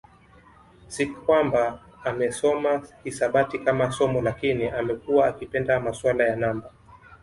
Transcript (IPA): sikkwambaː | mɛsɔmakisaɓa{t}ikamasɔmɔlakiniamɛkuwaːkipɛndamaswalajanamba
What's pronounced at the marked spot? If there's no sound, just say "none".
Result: t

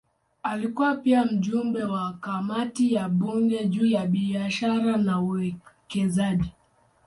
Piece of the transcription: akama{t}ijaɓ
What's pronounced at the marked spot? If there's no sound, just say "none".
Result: t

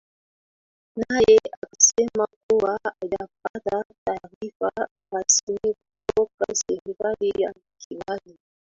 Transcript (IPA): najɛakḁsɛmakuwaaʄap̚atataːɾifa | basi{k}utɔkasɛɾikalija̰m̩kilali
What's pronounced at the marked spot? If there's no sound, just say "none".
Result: k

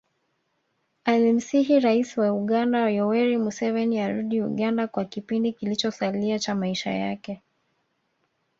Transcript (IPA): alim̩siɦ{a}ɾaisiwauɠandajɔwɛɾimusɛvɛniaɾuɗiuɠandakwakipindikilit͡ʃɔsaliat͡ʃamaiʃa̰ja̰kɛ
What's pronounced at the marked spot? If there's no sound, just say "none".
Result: i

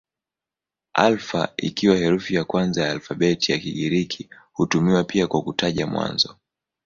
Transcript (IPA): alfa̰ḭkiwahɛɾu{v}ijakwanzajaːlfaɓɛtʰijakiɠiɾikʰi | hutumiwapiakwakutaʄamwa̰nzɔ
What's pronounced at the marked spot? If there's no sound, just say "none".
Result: f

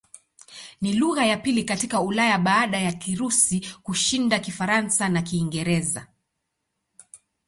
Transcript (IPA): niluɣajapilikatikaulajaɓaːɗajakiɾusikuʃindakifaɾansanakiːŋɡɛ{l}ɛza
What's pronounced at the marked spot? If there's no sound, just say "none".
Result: ɾ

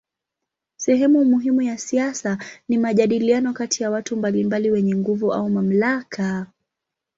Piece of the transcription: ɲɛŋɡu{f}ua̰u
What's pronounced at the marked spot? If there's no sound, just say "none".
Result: v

